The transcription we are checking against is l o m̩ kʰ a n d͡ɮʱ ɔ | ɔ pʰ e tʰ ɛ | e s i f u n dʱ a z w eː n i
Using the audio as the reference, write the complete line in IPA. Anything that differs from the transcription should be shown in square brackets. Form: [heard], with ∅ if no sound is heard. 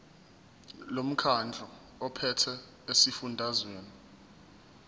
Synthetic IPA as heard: l o m̩ kʰ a n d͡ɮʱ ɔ | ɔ pʰ [ɛ] tʰ ɛ | e s i f u n dʱ a z w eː n i

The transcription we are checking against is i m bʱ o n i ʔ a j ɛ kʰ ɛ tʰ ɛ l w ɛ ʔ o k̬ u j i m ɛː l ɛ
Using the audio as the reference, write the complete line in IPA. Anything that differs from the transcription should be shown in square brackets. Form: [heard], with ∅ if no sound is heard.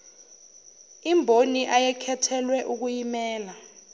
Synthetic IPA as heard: i m bʱ o n i ʔ a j ɛ kʰ ɛ tʰ ɛ l w ɛ ʔ [u] k̬ u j i m ɛː l [a]

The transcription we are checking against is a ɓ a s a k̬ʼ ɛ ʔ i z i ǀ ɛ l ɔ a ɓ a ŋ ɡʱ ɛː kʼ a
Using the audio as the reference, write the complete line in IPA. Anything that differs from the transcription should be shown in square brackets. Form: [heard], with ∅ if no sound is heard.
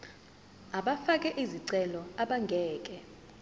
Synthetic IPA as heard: a ɓ a [f] a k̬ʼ ɛ ʔ i z i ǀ ɛ l ɔ a ɓ a ŋ ɡʱ ɛː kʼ [ɛ]

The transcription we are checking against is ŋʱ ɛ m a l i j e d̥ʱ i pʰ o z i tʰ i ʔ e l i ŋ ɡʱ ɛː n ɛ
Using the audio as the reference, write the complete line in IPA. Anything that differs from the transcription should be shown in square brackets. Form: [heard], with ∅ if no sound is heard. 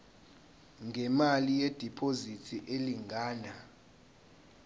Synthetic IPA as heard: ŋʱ ɛ m a l i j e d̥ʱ i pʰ o z i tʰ i ʔ e l i ŋ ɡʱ [aː] n [a]

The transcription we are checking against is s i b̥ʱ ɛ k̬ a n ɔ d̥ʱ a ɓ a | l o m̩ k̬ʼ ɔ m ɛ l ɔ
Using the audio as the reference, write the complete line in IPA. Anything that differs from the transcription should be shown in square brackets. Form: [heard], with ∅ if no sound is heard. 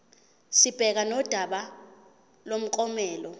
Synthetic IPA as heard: s i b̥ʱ ɛ k̬ a n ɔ d̥ʱ a ɓ a | l o m̩ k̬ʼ ɔ m [ɛː] l ɔ

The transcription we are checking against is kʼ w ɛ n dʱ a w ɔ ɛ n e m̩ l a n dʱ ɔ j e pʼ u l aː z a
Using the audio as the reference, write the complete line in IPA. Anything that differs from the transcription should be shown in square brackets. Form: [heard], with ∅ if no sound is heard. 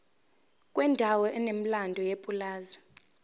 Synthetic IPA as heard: kʼ w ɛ n dʱ a w ɔ ɛ n e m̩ l a n dʱ ɔ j e pʼ u l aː z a

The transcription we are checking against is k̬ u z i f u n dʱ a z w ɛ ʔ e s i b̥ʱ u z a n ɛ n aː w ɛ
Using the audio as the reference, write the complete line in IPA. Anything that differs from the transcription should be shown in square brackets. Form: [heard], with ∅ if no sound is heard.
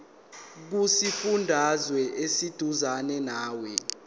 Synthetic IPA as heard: k̬ u [s] i f u n dʱ a z w ɛ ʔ e s i [d̥ʱ] u z a n ɛ n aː w ɛ

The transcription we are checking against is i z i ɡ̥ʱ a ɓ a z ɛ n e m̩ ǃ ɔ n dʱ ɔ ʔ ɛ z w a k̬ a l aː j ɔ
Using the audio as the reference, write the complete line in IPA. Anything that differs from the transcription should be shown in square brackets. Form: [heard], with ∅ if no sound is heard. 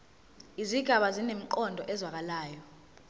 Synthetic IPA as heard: i z i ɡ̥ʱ a ɓ a z [i] n e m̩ ǃ ɔ n dʱ ɔ ʔ ɛ z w a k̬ a l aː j ɔ

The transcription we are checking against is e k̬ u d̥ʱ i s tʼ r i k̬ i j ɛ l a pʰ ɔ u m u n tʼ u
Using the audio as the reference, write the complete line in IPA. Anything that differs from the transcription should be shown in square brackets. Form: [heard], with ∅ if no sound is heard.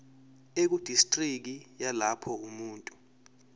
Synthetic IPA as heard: e k̬ u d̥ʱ i s tʼ r i k̬ i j [a] l a pʰ ɔ u m [uː] n tʼ u

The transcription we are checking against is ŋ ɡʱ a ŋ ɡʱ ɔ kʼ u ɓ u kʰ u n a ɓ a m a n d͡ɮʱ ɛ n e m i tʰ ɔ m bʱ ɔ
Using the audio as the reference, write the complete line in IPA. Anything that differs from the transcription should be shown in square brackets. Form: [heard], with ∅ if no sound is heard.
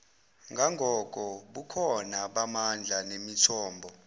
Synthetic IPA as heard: ŋ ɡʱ a ŋ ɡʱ ɔ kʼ [ɔ] ɓ u kʰ [ɔ] n a ɓ a m a n d͡ɮʱ [a] n e m i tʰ [ɔː] m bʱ ɔ

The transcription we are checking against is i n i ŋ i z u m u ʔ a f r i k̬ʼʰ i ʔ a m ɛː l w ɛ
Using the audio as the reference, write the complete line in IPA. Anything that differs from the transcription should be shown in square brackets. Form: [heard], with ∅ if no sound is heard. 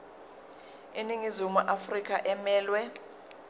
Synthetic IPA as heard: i n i ŋ i z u m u ʔ a f r i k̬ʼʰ [a] ʔ [ɛ] m ɛː l w ɛ

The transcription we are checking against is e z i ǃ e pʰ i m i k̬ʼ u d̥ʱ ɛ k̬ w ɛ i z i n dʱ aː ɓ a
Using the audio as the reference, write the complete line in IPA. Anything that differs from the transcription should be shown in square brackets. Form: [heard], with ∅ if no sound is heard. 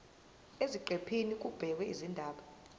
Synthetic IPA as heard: e z i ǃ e pʰ i [n] i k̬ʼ u [b̥ʱ] ɛ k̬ w ɛ i z i n dʱ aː ɓ a

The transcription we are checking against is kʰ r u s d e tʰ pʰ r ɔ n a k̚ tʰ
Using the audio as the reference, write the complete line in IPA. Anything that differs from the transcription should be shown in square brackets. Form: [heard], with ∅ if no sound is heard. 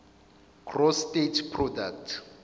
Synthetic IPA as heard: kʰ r [ɔ] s [t] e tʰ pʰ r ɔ [d] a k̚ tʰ

